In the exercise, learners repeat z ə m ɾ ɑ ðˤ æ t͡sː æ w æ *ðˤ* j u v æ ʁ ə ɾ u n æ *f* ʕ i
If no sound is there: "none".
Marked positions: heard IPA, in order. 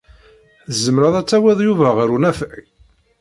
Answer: ðˤ, f

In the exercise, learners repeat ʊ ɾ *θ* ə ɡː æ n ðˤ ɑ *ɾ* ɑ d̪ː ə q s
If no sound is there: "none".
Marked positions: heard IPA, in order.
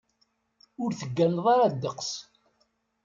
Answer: θ, ɾ

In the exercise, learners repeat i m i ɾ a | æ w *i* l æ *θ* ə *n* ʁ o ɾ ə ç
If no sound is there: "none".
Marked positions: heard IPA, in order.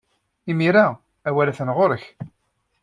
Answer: æ, θ, n

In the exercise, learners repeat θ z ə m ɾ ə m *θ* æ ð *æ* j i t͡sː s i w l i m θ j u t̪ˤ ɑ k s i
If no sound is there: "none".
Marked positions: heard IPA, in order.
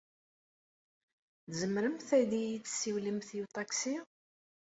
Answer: θ, i

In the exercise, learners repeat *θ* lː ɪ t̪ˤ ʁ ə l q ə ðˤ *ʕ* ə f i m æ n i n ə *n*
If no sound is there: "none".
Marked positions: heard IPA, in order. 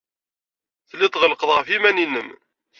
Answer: θ, ʁ, m

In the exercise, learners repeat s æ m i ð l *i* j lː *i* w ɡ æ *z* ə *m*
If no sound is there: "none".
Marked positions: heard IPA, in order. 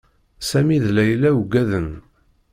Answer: æ, æ, ð, n

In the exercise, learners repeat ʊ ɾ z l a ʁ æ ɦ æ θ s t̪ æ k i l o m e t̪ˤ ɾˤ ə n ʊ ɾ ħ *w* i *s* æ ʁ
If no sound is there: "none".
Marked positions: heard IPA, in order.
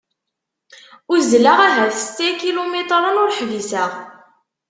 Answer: v, s

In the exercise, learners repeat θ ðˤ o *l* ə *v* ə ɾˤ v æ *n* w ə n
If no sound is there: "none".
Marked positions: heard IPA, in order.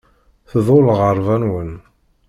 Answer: l, ʁ, n

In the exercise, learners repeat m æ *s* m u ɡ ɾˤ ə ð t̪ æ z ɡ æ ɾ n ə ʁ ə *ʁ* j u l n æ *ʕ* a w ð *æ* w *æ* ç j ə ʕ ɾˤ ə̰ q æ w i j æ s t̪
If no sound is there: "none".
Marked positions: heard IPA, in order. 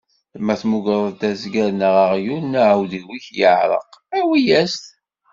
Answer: θ, ʁ, ʕ, i, i

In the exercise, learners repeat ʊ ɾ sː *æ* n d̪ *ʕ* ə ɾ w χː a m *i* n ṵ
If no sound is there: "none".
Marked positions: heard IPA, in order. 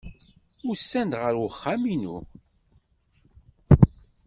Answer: æ, ʁ, i

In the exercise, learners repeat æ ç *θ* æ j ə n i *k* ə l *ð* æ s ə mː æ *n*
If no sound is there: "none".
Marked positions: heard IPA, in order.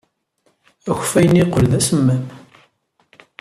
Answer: f, q, ð, m

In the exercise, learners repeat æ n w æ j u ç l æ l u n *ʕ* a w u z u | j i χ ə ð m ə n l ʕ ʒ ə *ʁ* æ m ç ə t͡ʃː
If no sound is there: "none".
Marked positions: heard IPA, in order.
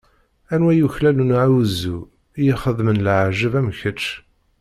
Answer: ʕ, v

